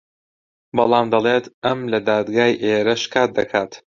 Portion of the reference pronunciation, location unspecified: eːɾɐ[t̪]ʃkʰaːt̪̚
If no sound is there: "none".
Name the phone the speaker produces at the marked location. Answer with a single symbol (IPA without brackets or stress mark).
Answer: none